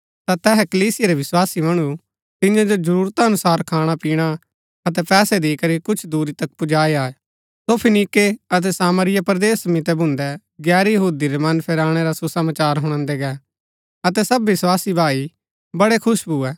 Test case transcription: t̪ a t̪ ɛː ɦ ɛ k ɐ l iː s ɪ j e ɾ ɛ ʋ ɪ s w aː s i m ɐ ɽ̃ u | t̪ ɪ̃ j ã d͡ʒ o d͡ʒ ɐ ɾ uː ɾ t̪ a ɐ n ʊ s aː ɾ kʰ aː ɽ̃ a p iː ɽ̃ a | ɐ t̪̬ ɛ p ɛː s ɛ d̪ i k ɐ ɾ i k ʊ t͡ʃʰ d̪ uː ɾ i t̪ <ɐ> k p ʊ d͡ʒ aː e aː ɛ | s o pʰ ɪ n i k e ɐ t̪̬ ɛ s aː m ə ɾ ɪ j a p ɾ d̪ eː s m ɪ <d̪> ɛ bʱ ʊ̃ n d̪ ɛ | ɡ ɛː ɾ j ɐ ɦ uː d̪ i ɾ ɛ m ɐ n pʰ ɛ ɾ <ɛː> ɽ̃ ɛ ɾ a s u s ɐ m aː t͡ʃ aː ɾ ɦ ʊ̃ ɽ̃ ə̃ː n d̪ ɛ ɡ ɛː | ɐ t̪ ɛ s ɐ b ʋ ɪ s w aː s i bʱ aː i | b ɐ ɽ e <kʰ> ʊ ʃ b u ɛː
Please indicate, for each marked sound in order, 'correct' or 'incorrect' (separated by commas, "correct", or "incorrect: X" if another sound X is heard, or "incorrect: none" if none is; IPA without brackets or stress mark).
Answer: correct, incorrect: t̪, incorrect: aː, correct